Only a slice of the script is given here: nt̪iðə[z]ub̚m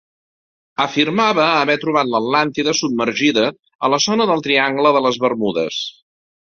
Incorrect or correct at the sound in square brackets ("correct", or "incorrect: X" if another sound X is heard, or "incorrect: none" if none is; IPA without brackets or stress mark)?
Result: incorrect: s